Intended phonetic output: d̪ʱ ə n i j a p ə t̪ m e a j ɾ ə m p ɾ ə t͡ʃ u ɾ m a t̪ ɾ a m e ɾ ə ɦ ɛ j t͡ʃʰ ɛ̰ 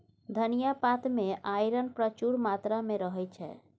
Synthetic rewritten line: d̪ʱ ə n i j a p a t̪ m e a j ɾ ə n p ɾ ə t͡ʃ u ɾ m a t̪ ɾ a m e ɾ ə ɦ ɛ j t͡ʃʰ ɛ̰

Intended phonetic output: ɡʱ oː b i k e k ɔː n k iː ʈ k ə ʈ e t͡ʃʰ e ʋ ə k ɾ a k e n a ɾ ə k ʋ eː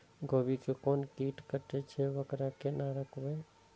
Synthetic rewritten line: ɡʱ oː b i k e k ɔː n k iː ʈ k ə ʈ e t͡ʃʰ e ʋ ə k ɾ a k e n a ɾ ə k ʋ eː

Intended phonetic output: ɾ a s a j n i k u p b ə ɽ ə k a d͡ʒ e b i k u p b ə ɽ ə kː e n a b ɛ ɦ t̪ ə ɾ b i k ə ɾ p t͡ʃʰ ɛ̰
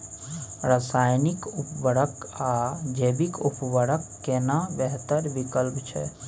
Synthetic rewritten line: ɾ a s a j n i k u p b ə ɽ ə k a d͡ʒ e b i k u p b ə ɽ ə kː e n a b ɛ ɦ t̪ ə ɾ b i k ə l p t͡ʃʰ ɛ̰

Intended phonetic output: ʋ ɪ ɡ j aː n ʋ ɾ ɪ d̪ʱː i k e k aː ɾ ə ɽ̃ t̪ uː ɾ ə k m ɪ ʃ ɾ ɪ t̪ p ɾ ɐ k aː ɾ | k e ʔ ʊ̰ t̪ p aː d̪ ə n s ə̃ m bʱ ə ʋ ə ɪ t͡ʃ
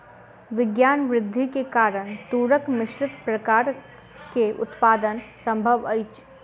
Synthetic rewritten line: ʋ ɪ ɡ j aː n ʋ ɾ ɪ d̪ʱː i k e k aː ɾ ə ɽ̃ t̪ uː ɾ ə k m ɪ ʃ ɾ ɪ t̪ p ɾ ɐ k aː ɾ | k e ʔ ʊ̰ t̪ p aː d̪ ə n s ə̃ m bʱ ə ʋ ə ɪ t͡ʃ

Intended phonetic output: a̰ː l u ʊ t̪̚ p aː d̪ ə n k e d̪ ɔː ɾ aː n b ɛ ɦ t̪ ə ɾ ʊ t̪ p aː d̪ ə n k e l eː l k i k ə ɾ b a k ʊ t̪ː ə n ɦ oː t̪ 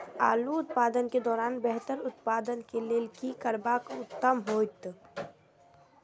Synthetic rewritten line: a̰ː l u ʊ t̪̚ p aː d̪ ə n k e d̪ ɔː ɾ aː n b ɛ ɦ t̪ ə ɾ ʊ t̪ p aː d̪ ə n k e l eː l k i k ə ɾ b a k ʊ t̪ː ə m ɦ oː t̪

